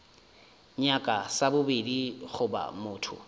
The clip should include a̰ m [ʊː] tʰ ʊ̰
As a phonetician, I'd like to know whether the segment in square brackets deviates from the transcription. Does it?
no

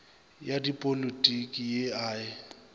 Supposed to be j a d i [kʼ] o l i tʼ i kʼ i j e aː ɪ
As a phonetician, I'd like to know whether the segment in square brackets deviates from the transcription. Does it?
yes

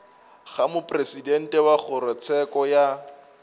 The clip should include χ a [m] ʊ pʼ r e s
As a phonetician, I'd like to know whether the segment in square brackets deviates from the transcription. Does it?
no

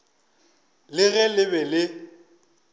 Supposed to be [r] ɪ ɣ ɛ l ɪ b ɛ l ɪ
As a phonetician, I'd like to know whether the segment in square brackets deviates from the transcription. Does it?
yes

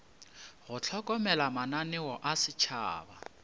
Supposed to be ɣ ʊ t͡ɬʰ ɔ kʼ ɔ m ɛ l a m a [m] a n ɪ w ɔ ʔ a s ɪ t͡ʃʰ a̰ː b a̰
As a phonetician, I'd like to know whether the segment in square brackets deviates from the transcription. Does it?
yes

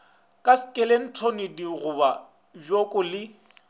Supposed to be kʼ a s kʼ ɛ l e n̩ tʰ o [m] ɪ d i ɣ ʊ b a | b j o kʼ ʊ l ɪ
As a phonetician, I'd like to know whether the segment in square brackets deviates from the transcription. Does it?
yes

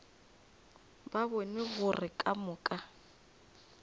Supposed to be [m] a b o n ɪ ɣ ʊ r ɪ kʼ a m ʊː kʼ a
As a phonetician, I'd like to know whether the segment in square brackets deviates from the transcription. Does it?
yes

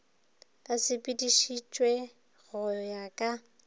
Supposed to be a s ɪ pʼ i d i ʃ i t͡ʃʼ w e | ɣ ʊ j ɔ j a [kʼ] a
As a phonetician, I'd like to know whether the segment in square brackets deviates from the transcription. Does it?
no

